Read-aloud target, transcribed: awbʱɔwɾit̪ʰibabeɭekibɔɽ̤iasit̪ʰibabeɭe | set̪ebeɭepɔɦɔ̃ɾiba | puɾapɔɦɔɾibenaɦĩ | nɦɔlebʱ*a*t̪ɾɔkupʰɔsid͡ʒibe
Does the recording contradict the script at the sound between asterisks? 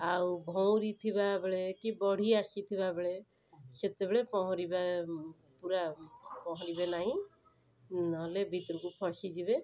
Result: yes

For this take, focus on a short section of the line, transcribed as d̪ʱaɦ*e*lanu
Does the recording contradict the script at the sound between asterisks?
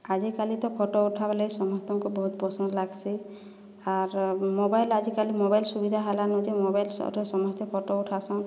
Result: yes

